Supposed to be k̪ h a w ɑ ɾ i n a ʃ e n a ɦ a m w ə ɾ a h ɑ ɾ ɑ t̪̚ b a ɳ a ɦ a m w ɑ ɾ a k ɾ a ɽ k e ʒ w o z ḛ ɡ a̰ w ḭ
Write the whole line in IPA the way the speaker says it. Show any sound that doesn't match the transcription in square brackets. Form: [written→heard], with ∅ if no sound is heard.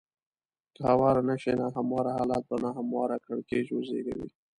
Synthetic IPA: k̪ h a w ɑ ɾ [i→a] n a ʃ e n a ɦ a m w [ə→ɑ] ɾ a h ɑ [ɾ→l] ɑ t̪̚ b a [ɳ→n] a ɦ a m w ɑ ɾ a k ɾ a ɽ k e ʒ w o z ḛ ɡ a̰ w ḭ